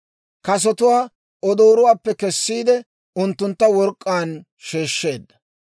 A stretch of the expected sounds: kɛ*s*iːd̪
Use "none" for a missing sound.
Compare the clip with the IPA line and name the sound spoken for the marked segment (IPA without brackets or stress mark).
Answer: sː